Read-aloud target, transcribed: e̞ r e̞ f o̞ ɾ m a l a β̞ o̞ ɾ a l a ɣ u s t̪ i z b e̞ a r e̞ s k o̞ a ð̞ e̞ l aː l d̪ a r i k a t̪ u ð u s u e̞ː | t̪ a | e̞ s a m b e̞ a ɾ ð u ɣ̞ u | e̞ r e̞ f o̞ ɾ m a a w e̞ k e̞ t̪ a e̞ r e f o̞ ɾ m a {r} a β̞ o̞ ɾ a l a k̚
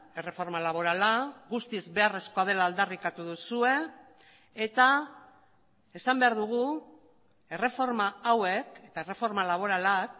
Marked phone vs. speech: incorrect: l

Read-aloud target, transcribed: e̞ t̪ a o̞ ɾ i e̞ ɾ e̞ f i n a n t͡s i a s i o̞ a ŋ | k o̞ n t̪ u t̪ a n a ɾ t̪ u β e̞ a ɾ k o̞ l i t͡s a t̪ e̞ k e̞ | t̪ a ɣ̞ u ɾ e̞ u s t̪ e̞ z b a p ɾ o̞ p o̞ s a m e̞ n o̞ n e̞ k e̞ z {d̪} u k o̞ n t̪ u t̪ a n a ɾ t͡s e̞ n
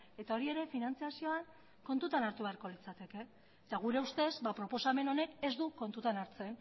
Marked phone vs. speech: correct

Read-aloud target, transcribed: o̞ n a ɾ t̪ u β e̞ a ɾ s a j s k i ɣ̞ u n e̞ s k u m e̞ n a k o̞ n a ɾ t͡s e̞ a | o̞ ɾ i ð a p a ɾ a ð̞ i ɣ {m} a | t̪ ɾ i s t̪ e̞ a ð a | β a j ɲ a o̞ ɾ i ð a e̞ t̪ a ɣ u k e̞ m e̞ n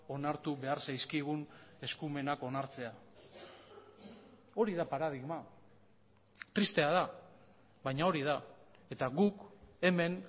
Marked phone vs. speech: correct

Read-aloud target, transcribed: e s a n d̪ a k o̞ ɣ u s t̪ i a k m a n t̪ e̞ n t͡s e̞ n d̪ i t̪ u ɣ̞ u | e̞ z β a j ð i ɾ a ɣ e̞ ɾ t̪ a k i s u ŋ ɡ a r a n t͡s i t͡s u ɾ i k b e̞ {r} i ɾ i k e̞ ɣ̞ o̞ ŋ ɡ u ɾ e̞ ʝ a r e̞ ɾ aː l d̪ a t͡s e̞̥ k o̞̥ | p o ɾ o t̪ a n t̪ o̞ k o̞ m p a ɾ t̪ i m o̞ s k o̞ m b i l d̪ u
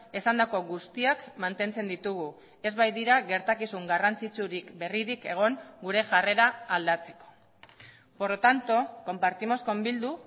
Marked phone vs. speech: correct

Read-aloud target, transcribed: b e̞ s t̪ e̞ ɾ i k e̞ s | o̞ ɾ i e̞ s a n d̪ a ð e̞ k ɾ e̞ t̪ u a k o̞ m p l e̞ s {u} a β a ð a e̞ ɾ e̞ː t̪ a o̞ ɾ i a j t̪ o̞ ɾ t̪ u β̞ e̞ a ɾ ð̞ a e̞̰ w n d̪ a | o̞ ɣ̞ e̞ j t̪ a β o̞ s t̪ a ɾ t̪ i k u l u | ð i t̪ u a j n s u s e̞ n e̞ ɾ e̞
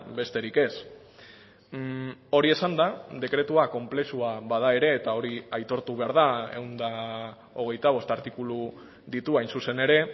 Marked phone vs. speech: correct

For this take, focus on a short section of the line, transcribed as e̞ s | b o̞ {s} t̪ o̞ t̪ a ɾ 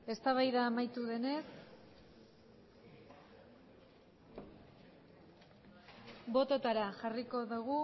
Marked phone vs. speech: incorrect: none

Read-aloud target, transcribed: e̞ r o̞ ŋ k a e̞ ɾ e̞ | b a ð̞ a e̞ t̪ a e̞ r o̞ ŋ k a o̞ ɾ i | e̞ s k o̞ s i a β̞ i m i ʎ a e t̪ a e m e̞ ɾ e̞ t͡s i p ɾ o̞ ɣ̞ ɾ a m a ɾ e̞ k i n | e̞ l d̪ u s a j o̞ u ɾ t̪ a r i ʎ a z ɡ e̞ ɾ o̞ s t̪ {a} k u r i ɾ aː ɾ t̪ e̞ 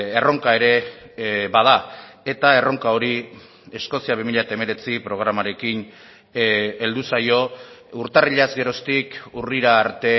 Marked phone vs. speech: incorrect: i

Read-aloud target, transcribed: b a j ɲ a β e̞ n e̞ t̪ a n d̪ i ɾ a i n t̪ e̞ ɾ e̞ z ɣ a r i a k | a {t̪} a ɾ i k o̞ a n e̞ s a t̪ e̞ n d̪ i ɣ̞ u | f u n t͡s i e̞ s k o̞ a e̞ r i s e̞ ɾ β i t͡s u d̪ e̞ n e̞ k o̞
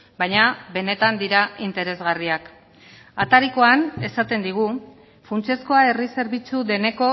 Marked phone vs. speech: correct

